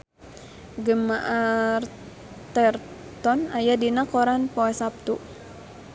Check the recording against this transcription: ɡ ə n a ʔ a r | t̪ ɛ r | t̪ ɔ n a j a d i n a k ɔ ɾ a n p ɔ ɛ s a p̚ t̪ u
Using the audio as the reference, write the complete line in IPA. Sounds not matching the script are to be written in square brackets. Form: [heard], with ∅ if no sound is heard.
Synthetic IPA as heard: ɡ ə [m] a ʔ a r | t̪ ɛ r | t̪ ɔ n a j a d i n a k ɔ ɾ a n p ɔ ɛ s a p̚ t̪ u